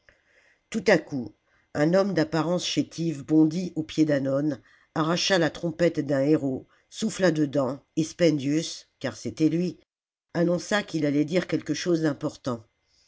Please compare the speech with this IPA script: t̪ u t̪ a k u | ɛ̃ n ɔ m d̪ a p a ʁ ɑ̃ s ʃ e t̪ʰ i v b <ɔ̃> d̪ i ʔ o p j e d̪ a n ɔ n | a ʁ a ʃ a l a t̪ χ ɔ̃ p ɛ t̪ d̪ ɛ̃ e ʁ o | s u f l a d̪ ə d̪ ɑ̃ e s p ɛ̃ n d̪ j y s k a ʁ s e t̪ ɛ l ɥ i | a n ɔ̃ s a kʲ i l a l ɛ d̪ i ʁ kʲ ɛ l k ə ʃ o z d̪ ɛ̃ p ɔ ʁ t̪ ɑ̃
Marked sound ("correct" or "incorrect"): correct